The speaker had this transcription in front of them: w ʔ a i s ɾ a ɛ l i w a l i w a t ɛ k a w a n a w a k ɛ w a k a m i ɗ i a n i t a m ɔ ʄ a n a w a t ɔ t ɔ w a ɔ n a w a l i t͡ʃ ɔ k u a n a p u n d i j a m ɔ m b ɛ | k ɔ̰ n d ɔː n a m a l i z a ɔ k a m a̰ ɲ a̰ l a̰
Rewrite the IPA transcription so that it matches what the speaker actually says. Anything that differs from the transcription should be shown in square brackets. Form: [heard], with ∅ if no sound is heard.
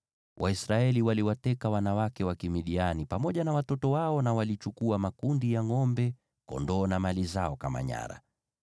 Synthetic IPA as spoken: w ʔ a i s ɾ a ɛ l i w a l i w a t ɛ k a w a n a w a k ɛ w a k [i] m i ɗ i a n i [p] a m ɔ ʄ a n a w a t ɔ t ɔ w a ɔ n a w a l i t͡ʃ [u] k u a [m] a [k] u n d i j a [ŋ] ɔ m b ɛ | k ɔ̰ n d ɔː n a m a l i z a ɔ k a m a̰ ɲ a̰ [ɾ] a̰